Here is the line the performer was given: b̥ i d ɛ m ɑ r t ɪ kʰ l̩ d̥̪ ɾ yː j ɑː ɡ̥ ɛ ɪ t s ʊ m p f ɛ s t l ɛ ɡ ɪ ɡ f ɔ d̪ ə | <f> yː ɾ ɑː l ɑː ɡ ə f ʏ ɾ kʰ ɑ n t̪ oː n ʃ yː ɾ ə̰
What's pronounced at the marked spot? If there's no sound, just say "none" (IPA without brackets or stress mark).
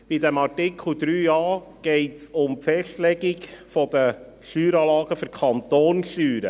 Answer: ʃ